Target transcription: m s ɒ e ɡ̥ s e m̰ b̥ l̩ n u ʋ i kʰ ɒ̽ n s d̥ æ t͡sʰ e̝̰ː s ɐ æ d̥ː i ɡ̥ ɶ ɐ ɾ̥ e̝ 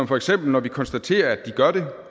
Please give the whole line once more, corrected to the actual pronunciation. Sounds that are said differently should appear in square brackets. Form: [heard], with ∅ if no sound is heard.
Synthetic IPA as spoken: m [f] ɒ e ɡ̥ s e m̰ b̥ l̩ n [ɒ] ʋ i kʰ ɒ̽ n s d̥ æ t͡sʰ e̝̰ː [∅] ɐ æ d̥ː i ɡ̥ ɶ ɐ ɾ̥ e̝